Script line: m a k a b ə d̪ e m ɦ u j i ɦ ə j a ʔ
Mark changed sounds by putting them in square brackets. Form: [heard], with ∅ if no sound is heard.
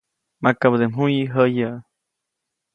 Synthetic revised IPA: m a k a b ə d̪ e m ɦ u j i ɦ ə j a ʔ